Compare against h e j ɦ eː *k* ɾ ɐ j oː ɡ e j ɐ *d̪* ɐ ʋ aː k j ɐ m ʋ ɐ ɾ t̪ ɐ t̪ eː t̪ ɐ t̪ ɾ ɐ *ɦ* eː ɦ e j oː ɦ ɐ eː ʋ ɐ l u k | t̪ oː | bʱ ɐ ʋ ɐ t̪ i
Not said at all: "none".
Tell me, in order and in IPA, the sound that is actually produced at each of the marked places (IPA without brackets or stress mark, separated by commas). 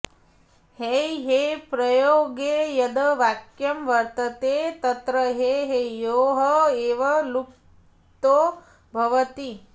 p, d̪, ɦ